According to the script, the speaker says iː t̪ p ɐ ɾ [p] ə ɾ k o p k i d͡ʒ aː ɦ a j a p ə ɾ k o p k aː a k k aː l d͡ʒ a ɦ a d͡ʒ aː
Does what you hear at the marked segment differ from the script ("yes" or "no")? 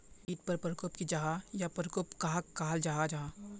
no